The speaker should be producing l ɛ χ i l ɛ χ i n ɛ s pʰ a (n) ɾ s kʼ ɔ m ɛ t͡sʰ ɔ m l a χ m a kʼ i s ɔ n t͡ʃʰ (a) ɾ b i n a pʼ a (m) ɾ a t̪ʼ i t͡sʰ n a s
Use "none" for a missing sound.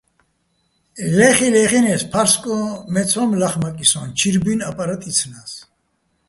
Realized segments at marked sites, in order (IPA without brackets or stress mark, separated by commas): none, i, none